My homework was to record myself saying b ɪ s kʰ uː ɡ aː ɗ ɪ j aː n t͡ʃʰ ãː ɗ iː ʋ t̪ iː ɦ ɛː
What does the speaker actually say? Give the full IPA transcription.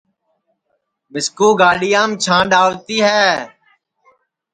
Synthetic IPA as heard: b ɪ s k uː ɡ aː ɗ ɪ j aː m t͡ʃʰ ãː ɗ aː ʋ t̪ iː ɦ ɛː